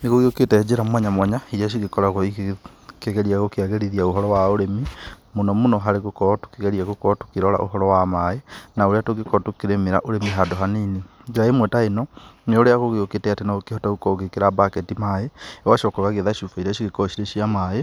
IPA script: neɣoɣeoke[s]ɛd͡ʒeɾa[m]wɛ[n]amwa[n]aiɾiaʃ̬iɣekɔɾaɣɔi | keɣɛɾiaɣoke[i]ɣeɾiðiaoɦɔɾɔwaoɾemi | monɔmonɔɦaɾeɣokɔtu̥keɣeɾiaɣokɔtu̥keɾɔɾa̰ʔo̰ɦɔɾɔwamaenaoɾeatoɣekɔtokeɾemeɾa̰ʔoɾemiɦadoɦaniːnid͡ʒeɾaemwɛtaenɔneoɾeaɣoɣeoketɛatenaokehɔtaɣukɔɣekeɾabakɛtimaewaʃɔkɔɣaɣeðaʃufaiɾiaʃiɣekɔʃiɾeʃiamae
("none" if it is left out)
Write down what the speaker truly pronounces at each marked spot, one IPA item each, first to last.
t, m, ɲ, ɲ, a

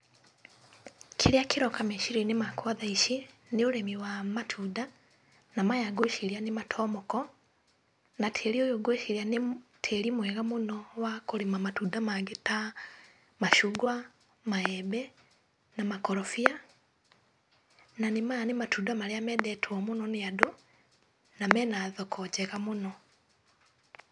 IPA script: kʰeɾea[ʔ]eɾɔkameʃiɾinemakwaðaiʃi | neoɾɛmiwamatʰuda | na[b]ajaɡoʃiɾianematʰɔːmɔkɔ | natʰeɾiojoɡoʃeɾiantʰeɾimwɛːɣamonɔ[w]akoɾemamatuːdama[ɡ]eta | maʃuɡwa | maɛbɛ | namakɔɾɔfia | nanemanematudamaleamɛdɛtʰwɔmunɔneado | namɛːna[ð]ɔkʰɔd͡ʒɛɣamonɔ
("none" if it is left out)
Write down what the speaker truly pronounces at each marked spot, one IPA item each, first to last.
k, m, w, ɡ, ð

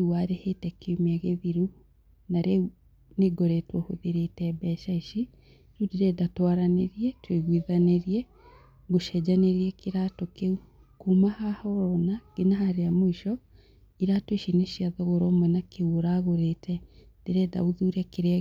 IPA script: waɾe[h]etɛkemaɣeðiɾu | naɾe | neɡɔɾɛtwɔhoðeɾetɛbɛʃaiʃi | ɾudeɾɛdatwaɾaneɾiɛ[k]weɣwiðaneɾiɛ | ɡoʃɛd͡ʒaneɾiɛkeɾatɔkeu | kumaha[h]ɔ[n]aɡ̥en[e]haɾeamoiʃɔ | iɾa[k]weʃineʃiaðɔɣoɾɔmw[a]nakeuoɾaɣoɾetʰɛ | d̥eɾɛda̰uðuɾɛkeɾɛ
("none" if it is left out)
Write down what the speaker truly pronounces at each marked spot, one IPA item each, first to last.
h, t, h, n, a, t, ɛ

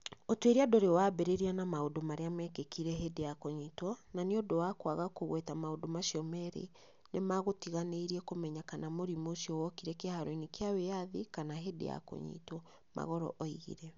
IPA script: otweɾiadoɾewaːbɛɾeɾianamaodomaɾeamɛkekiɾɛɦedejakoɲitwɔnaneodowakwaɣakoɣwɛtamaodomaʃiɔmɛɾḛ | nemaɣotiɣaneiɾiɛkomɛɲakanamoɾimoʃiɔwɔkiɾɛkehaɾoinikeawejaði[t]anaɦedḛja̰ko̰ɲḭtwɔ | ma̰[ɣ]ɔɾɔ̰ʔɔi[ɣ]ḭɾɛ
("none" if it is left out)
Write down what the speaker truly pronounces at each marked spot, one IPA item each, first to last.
k, ɣ, ɣ

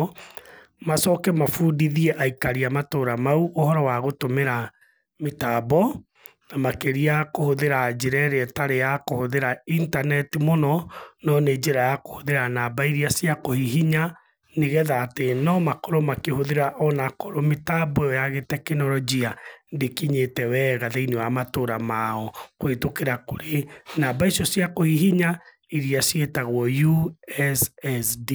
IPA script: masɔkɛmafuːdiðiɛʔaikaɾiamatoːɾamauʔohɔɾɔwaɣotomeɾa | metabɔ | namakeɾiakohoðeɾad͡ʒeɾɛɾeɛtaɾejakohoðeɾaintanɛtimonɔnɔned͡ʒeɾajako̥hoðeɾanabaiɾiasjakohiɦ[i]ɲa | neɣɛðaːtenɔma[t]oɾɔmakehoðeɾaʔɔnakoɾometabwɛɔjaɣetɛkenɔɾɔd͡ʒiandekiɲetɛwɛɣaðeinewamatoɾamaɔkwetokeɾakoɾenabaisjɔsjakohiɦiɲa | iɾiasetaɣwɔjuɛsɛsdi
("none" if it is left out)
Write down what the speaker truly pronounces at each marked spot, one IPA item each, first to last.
i, k

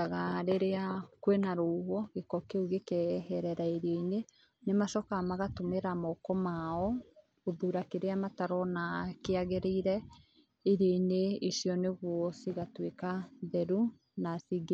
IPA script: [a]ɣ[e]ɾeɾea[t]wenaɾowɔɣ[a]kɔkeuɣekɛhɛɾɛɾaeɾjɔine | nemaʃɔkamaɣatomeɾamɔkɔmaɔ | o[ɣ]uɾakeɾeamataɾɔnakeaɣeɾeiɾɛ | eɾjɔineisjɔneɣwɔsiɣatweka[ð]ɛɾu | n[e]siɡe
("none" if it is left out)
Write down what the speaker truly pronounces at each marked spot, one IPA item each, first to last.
a, a, k, e, ð, ð, a

